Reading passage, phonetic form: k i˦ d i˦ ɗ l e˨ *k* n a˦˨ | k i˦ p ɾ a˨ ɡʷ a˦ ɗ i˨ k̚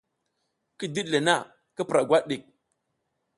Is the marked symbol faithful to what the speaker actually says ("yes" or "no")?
no